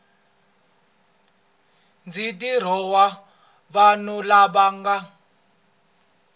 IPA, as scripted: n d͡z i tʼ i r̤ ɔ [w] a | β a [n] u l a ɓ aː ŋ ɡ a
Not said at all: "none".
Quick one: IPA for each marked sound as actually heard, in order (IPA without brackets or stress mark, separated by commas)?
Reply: w, n